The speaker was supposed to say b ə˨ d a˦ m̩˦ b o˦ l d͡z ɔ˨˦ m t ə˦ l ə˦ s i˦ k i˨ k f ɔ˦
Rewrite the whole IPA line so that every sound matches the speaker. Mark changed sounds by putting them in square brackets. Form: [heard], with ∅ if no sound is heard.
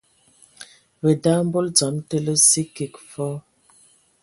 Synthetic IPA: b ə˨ d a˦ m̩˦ b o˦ l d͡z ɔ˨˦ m t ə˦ l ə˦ s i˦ k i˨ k f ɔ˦